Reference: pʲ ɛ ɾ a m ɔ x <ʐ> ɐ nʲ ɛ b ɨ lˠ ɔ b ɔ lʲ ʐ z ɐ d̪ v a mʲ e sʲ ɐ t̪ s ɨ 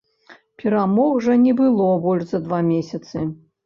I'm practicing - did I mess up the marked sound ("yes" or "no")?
no